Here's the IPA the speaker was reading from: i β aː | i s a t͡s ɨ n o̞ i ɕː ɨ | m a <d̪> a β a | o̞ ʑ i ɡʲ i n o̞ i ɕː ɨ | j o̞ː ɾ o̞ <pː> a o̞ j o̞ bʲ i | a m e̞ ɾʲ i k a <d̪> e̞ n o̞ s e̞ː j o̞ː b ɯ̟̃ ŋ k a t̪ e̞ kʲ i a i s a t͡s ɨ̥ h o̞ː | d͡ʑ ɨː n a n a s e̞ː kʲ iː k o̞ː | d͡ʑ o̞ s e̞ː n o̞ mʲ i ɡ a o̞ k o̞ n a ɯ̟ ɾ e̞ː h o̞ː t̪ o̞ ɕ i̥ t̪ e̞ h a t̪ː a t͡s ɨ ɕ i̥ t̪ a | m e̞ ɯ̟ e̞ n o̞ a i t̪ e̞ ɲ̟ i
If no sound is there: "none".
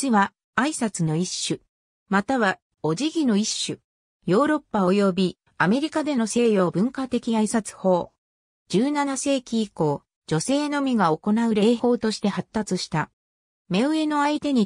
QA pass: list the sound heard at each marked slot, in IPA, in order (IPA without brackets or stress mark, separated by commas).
t̪, pː, d̪